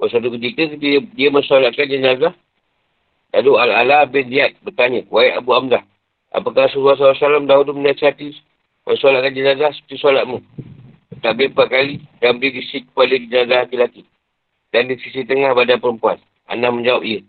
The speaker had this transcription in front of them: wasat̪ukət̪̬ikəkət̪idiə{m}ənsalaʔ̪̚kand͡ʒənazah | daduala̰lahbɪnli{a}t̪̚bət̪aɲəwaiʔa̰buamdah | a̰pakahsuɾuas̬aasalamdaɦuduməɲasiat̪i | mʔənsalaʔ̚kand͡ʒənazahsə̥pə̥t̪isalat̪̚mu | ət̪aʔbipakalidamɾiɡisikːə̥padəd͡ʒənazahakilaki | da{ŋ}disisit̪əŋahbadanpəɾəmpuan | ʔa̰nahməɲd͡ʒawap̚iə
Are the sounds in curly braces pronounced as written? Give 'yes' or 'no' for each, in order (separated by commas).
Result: yes, yes, no